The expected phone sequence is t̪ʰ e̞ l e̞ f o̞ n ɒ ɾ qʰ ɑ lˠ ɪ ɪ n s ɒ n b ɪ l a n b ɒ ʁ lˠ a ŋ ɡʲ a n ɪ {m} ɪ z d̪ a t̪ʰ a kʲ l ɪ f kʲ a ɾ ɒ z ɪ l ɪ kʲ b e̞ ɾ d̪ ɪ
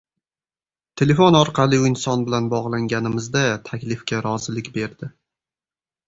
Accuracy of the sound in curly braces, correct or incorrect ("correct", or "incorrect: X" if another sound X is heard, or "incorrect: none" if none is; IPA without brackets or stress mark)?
correct